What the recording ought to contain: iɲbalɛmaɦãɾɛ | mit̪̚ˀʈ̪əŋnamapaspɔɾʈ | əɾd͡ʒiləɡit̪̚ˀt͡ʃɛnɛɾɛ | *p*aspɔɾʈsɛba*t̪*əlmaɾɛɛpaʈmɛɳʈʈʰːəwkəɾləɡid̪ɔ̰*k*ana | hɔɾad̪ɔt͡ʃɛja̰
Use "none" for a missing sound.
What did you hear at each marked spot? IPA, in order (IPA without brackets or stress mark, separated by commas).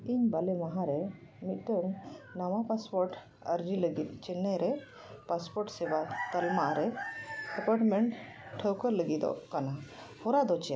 p, t̪, k